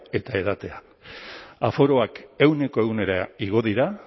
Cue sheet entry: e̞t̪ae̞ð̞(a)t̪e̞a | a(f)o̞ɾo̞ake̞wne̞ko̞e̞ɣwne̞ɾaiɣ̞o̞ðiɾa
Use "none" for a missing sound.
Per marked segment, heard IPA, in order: a, f

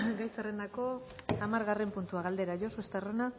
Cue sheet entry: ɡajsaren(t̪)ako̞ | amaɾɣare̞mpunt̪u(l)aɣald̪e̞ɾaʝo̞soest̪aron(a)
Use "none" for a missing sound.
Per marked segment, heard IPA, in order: d̪, none, a

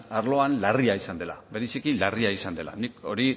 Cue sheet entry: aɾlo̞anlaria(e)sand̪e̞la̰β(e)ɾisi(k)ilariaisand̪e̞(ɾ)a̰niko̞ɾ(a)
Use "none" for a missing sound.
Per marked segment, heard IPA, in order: i, e, k, l, i

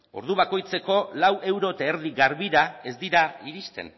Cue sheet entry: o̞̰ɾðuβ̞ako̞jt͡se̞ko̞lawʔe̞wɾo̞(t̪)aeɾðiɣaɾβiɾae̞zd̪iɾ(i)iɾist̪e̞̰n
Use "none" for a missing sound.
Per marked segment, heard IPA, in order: t̪, a

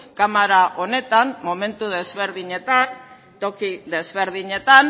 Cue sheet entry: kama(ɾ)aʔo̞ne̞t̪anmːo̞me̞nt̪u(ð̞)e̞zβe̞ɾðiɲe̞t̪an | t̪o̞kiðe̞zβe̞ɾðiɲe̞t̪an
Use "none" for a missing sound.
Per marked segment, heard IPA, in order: ɾ, ð̞

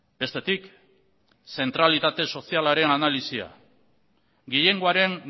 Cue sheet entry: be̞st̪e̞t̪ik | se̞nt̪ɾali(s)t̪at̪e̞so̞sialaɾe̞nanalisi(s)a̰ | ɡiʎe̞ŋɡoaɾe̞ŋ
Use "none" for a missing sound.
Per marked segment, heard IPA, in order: none, none

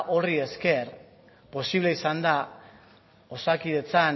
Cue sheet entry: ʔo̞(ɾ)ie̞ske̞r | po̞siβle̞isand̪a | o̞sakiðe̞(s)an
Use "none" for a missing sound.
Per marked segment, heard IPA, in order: r, t͡s

